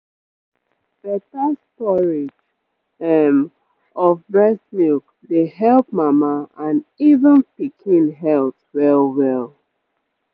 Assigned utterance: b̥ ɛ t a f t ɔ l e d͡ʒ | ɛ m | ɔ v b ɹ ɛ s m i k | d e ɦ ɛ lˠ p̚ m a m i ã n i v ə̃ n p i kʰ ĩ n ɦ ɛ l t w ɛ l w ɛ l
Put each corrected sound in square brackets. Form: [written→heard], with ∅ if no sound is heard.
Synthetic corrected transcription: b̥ ɛ t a [f→s] t ɔ [l→ɹ] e d͡ʒ | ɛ m | ɔ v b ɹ ɛ s m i k | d e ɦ ɛ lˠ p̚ m a m [i→a] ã n i v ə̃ n p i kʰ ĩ n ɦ ɛ l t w ɛ l w ɛ l